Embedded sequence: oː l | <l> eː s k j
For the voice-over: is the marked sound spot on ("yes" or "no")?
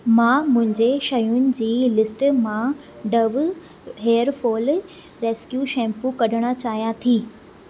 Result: no